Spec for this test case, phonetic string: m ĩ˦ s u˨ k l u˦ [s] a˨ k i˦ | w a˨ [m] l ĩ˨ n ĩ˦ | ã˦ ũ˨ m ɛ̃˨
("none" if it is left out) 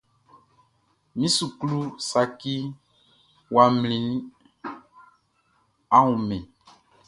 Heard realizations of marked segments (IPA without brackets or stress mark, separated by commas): s, m